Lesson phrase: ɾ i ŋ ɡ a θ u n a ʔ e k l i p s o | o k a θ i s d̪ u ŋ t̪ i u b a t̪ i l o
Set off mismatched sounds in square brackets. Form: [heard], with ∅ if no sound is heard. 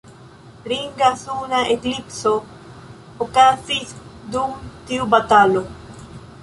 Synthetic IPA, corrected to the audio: ɾ i ŋ ɡ a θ u n a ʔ e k l i p s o | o k a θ i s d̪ u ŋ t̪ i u b a t̪ [a] l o